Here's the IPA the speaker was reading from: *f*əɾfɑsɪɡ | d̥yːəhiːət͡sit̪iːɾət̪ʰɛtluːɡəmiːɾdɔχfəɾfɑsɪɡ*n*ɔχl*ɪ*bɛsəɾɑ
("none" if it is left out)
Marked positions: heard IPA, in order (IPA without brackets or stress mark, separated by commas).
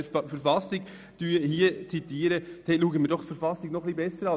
f, n, i